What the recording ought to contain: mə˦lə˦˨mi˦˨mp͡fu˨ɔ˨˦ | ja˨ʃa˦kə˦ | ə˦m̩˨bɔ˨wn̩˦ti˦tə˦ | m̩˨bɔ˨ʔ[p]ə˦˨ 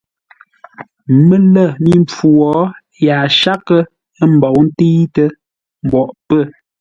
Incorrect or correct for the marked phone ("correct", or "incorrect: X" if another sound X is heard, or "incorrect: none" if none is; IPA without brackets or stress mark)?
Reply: correct